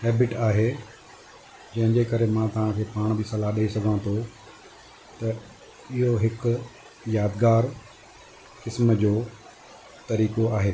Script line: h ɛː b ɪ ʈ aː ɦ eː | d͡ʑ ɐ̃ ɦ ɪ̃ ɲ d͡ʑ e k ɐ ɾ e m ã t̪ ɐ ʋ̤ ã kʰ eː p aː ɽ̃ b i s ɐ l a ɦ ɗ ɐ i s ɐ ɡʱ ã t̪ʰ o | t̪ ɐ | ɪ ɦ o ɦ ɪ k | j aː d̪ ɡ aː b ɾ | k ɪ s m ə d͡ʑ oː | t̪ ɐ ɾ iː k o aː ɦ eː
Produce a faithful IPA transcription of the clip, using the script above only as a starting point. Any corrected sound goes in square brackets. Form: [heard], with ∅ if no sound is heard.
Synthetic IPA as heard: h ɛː b ɪ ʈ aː ɦ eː | d͡ʑ ɐ̃ ɦ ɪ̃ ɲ d͡ʑ e k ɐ ɾ e m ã t̪ ɐ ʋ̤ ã kʰ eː p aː ɽ̃ b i s ɐ l a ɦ ɗ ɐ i s ɐ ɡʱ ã t̪ʰ o | t̪ ɐ | ɪ ɦ o ɦ ɪ k | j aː d̪ ɡ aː [∅] ɾ | k ɪ s m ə d͡ʑ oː | t̪ ɐ ɾ iː k o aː ɦ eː

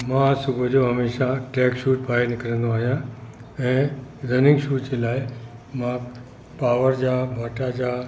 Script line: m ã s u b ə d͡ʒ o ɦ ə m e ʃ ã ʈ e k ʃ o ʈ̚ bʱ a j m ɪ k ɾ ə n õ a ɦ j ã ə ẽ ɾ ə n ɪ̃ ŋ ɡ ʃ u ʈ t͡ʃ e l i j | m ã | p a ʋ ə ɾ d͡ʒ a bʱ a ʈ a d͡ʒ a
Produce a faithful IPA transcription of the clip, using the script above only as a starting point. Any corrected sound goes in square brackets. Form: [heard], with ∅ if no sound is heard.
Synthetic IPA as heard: m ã s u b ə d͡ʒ o ɦ ə m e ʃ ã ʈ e k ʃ [u] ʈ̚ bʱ a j [n] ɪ k ɾ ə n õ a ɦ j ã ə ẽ ɾ ə n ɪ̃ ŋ ɡ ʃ u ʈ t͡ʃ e l [a] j | m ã | p a ʋ ə ɾ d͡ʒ a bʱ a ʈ a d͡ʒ a

